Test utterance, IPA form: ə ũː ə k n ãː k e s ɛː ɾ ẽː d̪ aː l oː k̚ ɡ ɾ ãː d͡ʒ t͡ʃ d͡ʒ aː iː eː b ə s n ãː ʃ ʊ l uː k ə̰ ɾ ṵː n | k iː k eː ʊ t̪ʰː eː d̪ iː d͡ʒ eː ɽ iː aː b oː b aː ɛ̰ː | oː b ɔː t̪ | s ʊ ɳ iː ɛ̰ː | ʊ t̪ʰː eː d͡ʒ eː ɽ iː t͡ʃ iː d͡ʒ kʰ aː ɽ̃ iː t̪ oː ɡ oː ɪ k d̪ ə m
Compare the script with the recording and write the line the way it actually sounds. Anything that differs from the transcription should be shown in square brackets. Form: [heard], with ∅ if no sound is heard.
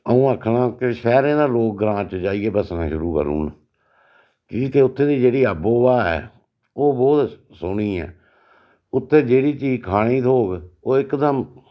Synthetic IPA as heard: ə ũː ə [kʰ] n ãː k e [ʃ] ɛː ɾ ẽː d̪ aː l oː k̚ ɡ ɾ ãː [∅] t͡ʃ d͡ʒ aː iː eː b ə s n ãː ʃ ʊ [ɾ] uː k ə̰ ɾ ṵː n | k iː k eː ʊ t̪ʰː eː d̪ iː d͡ʒ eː ɽ iː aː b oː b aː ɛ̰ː | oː b ɔː t̪ | s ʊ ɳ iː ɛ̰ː | ʊ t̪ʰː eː d͡ʒ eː ɽ iː t͡ʃ iː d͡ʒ kʰ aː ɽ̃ iː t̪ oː ɡ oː ɪ k d̪ ə m